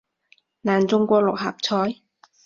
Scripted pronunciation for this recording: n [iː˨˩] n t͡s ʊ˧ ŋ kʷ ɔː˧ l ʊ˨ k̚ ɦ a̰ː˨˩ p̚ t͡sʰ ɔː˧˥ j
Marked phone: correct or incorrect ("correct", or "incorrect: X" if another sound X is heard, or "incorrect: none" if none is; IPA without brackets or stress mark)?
incorrect: aː˨˩